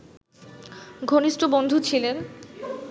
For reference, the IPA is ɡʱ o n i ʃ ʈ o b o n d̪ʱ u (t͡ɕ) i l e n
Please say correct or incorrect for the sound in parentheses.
incorrect: t͡ɕʰ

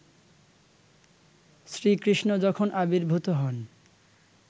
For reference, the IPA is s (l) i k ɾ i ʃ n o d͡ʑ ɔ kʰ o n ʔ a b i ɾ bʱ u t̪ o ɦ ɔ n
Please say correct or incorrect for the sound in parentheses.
incorrect: ɾ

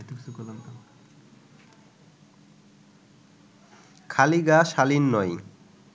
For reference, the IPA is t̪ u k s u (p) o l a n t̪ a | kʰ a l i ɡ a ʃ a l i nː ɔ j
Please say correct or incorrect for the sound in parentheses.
incorrect: k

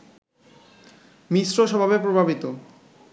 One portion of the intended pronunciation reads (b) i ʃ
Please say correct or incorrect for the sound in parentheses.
incorrect: m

